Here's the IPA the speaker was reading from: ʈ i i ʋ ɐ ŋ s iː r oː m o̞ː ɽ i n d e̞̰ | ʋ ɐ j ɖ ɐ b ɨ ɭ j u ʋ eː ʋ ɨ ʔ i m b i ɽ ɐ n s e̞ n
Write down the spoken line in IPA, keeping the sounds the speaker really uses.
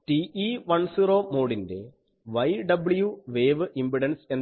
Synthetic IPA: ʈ i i ʋ ɐ ɳ s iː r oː m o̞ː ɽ i n d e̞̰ | ʋ ɐ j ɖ ɐ b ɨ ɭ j u ʋ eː ʋ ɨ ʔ i m b i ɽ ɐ n s e̞ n